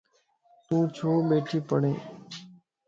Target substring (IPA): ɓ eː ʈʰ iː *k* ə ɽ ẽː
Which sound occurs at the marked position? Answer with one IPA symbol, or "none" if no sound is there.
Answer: p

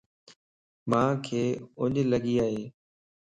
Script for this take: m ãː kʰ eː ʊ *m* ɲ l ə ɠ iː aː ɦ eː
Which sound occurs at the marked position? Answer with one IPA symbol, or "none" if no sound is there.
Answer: none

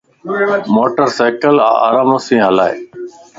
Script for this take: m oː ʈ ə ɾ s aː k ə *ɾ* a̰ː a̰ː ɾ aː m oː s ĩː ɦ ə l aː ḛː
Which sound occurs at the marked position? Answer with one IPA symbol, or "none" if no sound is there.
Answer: l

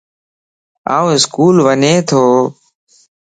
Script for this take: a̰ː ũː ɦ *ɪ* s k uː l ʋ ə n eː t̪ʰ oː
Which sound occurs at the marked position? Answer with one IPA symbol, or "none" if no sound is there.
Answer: ɪ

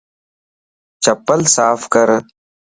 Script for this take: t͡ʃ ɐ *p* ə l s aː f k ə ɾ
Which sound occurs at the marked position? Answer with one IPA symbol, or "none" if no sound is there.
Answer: p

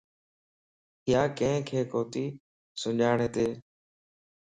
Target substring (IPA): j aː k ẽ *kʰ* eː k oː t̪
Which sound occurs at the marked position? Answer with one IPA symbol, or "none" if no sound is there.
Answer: kʰ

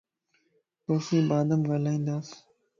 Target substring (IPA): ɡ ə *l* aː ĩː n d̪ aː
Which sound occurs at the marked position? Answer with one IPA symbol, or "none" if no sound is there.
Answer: l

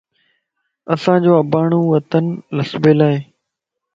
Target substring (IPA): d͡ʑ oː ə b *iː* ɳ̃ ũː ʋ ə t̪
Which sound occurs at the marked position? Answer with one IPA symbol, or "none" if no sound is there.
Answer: aː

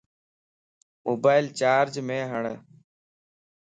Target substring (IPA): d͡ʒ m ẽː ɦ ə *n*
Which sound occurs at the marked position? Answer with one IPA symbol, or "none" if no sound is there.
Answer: ɳ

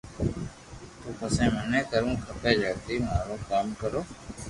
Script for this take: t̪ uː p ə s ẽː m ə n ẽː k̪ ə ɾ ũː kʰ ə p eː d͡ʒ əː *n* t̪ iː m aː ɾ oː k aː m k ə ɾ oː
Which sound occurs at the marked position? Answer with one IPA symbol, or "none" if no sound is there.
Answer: none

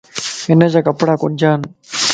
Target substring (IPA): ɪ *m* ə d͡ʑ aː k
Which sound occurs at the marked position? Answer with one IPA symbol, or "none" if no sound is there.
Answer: n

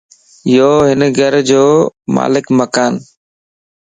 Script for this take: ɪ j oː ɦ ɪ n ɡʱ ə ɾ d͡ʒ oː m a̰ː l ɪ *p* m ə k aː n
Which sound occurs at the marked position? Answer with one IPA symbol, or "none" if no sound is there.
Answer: k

